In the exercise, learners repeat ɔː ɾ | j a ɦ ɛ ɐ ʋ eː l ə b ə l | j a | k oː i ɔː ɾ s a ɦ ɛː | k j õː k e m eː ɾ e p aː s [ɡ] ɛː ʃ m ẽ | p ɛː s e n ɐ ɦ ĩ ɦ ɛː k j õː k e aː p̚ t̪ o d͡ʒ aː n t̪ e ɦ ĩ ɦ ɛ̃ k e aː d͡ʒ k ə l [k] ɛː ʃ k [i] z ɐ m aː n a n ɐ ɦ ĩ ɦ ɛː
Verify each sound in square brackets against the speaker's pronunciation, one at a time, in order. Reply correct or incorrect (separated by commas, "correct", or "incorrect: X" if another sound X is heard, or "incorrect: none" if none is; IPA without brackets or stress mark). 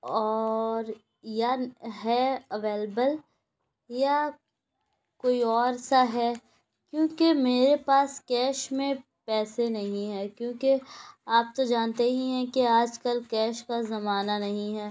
incorrect: k, correct, incorrect: a